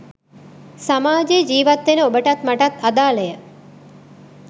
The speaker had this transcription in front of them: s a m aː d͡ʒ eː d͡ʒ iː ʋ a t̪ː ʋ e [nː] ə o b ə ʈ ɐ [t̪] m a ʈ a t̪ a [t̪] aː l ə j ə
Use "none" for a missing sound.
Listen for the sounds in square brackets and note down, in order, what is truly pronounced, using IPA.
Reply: n, t̪, d̪

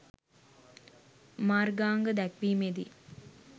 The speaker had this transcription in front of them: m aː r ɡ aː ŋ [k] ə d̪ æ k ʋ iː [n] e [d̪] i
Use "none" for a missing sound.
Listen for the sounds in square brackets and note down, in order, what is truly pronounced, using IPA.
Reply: ɡ, m, d̪

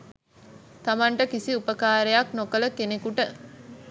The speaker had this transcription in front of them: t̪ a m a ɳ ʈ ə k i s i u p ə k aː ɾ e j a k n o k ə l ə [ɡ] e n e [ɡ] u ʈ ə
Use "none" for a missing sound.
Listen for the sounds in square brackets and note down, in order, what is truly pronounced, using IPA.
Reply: k, k

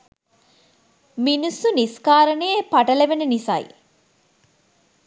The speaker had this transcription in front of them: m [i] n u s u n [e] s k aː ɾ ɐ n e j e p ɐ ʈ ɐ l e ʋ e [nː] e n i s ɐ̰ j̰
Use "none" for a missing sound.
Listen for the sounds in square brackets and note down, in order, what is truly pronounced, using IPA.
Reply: i, i, n

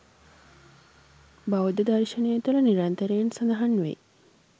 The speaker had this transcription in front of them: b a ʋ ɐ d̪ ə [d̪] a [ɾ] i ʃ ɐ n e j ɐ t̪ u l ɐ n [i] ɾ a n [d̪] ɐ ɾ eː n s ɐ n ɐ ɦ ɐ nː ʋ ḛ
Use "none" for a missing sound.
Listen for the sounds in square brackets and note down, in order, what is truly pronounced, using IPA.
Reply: d̪, ɾ, i, t̪

